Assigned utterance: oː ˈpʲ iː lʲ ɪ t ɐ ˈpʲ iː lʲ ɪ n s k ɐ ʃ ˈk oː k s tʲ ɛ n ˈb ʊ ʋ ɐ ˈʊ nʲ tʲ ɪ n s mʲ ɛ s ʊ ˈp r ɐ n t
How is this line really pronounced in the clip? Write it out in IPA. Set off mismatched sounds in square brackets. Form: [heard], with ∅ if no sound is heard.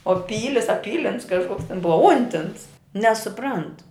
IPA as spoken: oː ˈpʲ iː lʲ ɪ [s] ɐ ˈpʲ iː lʲ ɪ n s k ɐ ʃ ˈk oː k s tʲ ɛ n ˈb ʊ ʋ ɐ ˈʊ nʲ tʲ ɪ n s [nʲ] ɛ s ʊ ˈp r ɐ n t